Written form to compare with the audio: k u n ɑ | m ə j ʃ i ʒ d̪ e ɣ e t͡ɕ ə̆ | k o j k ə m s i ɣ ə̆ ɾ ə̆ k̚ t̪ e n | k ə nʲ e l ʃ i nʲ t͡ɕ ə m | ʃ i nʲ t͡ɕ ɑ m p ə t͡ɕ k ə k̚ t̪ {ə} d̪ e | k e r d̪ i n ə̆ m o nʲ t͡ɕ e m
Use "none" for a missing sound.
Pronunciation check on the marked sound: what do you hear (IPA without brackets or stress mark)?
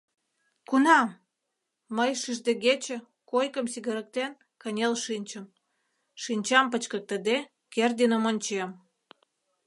ə